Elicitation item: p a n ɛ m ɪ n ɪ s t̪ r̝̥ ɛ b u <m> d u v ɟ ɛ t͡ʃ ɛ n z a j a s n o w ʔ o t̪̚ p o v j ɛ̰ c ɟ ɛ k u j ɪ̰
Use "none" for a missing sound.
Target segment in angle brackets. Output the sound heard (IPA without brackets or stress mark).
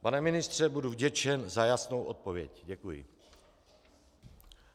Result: none